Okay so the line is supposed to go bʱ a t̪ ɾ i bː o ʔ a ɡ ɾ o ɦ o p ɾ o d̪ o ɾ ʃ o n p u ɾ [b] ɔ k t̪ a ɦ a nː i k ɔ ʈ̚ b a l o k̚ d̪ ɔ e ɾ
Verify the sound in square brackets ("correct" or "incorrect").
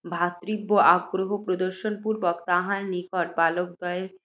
correct